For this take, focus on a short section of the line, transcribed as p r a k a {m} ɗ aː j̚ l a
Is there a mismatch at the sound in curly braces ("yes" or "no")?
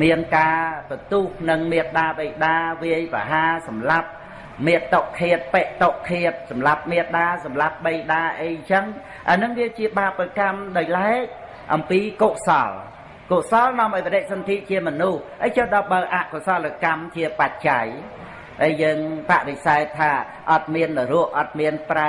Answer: no